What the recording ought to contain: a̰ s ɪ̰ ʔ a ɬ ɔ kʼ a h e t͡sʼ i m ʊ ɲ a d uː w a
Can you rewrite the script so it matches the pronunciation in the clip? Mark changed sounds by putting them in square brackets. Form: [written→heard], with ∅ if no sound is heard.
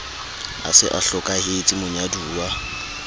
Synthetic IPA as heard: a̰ s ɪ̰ ʔ a ɬ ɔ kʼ a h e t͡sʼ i m ʊ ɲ a d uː w a